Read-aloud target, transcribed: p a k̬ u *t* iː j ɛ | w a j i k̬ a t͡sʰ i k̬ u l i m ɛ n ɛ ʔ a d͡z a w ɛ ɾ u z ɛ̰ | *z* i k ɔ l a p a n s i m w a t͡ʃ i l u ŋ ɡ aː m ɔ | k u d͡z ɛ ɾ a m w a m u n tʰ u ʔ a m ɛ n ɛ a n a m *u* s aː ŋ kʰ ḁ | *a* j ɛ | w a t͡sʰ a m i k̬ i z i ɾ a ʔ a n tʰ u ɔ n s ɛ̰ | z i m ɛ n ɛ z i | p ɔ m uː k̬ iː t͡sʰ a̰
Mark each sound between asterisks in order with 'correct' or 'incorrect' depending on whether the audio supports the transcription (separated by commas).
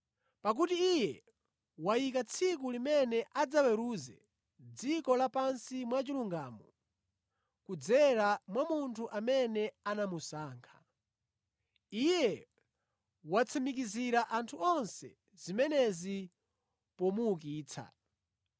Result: correct, incorrect, correct, incorrect